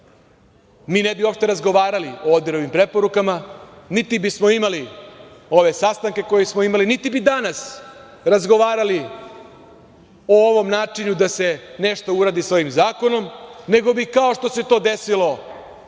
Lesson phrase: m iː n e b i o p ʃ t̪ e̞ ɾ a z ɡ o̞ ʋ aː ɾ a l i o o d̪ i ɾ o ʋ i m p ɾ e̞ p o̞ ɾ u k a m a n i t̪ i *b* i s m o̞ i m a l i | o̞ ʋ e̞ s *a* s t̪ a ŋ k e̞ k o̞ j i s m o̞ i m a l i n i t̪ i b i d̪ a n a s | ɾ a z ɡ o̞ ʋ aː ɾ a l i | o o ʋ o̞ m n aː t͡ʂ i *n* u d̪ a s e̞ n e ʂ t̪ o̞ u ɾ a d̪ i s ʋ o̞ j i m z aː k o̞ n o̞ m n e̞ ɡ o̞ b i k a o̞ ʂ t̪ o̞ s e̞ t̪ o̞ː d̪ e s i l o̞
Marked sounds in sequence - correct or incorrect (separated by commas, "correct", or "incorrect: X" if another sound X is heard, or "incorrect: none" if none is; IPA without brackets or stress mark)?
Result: correct, correct, incorrect: ɲ